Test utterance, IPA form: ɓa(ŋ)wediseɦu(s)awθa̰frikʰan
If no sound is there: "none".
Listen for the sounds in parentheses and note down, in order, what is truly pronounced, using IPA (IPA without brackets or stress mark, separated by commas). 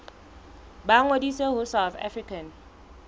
ŋ, s